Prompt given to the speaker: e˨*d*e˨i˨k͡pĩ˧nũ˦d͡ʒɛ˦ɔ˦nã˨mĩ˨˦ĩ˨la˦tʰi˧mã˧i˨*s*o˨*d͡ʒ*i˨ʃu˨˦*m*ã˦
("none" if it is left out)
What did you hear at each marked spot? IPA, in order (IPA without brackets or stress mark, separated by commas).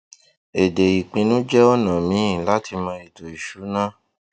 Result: d, t, none, n